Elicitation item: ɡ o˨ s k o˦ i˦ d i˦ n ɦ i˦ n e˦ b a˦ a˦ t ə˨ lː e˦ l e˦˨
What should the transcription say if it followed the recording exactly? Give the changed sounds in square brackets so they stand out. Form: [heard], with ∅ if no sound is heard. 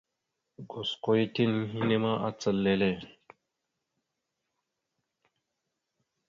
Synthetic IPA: ɡ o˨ s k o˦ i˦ [t] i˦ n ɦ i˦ n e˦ [m] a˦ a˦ [t͡s] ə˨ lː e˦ l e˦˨